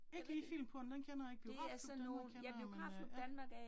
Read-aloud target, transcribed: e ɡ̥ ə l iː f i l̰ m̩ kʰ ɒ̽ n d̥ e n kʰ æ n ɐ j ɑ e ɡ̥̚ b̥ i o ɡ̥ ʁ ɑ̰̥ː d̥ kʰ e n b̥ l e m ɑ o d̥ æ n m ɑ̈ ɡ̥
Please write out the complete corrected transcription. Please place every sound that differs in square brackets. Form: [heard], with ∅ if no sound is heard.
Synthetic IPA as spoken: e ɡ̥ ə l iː f i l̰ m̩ [pʰ] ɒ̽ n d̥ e n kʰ [e] n ɐ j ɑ e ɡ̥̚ b̥ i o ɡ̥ ʁ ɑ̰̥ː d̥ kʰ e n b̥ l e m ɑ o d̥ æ n m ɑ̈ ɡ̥

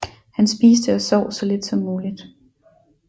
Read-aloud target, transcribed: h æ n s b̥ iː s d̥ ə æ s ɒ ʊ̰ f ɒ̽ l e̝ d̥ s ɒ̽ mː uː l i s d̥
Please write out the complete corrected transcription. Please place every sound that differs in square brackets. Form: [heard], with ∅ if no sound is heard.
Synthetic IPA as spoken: h æ n s b̥ iː s d̥ ə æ s ɒ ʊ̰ [s] ɒ̽ l e̝ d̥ s ɒ̽ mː uː l i [∅] d̥

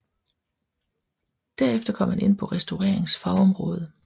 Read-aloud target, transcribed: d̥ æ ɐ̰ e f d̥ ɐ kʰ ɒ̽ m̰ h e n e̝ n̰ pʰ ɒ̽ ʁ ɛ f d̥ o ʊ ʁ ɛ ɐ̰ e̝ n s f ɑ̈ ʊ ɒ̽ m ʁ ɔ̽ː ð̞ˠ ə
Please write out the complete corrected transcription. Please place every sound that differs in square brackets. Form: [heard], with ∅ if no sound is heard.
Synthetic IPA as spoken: d̥ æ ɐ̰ e f d̥ ɐ kʰ ɒ̽ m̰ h [æ] n e̝ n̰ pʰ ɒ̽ ʁ ɛ [s] d̥ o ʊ ʁ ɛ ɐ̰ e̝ [ŋ] s f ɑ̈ ʊ ɒ̽ m ʁ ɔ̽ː ð̞ˠ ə

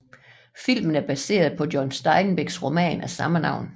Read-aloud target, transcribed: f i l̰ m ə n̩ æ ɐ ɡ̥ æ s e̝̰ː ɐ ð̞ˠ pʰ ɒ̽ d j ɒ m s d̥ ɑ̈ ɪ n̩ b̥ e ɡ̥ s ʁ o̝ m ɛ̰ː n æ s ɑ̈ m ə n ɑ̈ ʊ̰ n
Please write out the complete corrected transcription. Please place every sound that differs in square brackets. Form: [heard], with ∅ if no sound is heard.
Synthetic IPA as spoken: f i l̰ m ə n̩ æ ɐ [b̥] æ s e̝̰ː ɐ ð̞ˠ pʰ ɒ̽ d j ɒ [n] s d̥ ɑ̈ ɪ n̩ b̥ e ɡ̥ s ʁ o̝ m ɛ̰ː n æ s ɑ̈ m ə n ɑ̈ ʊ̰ n

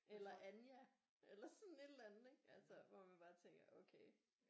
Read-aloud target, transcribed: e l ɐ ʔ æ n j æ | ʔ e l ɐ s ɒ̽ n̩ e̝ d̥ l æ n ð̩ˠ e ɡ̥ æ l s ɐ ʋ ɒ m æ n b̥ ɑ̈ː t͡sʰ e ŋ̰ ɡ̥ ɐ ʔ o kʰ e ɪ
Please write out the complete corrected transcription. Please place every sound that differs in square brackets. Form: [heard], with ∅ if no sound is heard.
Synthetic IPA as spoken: e l ɐ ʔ æ n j æ | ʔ e l ɐ s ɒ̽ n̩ e̝ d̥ l æ n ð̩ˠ e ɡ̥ æ l s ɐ ʋ ɒ m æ n b̥ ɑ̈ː t͡sʰ e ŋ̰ ɡ̥ ɐ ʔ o kʰ e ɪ

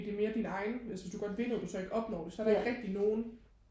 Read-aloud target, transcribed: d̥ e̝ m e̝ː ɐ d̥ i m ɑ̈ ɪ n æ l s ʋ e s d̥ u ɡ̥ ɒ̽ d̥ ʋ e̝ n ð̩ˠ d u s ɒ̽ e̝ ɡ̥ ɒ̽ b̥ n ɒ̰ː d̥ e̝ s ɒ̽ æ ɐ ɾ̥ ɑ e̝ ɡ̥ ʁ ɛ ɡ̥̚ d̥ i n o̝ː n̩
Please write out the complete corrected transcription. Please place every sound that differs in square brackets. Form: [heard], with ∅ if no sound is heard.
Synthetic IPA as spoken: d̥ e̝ m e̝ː ɐ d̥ i [n] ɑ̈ ɪ n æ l s ʋ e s d̥ u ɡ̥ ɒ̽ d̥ ʋ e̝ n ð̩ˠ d u s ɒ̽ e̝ ɡ̥ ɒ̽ b̥ n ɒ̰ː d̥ e̝ s ɒ̽ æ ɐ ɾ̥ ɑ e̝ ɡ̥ ʁ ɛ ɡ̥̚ d̥ i n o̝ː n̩

